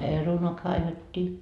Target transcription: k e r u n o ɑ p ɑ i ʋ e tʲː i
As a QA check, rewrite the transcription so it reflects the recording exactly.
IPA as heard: p e r u n o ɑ k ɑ i ʋ e tʲː iː